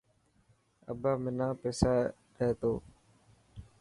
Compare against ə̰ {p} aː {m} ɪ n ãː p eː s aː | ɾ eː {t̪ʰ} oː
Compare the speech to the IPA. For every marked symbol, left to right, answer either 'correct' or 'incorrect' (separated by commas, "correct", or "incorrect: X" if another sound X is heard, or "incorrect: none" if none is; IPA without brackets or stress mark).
incorrect: b, correct, incorrect: t̪